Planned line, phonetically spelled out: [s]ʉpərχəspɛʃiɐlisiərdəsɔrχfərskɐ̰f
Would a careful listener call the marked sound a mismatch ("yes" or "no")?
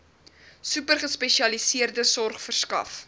no